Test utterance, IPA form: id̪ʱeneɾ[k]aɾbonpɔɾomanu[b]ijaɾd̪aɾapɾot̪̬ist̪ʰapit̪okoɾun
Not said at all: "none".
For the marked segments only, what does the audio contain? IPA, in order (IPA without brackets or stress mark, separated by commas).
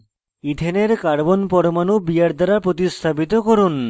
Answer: k, b